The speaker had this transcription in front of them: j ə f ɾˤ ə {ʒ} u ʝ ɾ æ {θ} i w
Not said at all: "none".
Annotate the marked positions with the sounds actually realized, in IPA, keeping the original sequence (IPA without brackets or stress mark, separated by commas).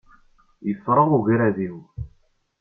ʁ, ð